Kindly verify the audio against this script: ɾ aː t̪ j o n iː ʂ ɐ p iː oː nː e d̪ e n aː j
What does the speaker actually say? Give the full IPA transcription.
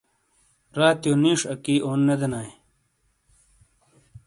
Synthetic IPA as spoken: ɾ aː t̪ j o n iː ʂ ɐ k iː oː nː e d̪ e n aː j